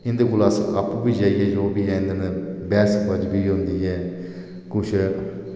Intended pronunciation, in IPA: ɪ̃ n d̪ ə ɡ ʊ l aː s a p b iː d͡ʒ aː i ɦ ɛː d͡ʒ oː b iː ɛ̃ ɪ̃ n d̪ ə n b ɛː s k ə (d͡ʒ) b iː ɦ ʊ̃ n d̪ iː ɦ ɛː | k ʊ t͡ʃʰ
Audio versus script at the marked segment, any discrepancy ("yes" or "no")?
no